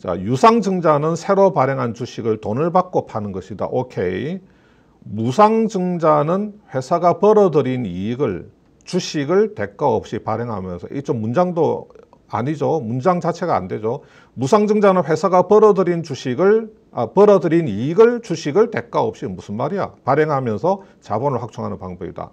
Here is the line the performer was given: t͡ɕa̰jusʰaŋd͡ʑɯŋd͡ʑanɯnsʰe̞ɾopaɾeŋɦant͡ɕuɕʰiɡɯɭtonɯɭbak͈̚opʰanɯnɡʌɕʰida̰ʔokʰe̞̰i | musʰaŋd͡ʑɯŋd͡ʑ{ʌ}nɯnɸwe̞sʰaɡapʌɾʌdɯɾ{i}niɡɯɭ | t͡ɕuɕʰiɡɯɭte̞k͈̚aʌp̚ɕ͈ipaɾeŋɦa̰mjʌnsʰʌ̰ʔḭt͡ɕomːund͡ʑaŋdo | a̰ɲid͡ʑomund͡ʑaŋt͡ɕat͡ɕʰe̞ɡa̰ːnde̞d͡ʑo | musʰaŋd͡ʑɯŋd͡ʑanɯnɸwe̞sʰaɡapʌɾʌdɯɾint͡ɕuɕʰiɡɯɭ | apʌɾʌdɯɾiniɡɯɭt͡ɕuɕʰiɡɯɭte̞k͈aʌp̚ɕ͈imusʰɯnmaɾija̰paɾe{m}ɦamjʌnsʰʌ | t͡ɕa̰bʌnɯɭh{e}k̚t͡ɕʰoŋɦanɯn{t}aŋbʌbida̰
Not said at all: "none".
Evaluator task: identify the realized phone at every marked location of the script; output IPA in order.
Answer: a, i, ŋ, a, p

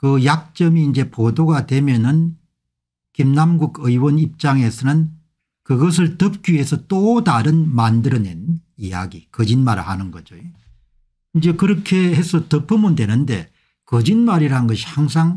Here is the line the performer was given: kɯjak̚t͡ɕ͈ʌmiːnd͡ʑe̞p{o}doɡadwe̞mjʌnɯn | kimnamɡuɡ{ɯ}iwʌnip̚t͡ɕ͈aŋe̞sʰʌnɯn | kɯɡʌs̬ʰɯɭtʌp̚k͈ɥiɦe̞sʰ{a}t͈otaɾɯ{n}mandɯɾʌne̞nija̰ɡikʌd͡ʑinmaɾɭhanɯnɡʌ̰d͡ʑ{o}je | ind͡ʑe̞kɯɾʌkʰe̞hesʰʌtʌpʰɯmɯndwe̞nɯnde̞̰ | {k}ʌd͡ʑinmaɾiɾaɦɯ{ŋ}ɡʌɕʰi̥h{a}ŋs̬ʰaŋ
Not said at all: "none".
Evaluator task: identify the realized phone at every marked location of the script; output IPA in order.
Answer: o, ɯ, ʌ, n, o, k, n, a

